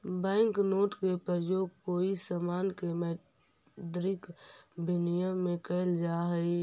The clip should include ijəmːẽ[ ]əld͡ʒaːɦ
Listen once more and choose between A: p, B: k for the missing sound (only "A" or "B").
B